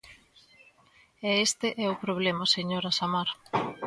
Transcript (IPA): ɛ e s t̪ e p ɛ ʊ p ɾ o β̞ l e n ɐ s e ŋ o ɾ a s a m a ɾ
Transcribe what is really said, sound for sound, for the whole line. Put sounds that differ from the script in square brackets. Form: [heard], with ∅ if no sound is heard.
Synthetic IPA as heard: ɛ e s t̪ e [ʔ] ɛ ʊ p ɾ o β̞ l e [m] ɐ s e [ɲ] o ɾ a s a m a ɾ